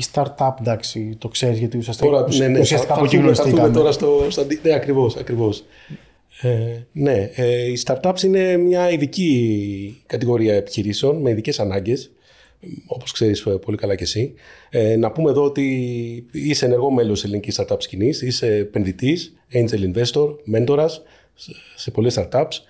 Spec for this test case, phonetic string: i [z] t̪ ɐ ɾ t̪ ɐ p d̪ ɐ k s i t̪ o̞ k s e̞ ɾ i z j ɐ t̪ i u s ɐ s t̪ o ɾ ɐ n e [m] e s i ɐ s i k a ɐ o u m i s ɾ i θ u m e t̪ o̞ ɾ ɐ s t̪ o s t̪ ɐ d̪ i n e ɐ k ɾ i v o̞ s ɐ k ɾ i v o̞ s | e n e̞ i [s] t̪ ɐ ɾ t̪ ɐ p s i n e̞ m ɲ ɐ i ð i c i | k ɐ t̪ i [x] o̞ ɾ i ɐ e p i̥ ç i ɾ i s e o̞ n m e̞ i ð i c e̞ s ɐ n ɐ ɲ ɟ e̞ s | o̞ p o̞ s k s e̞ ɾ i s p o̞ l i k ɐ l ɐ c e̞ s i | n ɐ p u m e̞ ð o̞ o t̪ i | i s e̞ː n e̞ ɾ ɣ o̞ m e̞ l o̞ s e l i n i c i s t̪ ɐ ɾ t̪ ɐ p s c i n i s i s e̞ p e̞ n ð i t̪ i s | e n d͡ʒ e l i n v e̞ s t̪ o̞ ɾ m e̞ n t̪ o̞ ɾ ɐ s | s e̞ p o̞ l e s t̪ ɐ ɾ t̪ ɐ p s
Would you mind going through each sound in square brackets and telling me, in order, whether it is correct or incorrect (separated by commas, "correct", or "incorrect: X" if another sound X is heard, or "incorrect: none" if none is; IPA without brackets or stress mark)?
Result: incorrect: s, incorrect: n, correct, incorrect: ɣ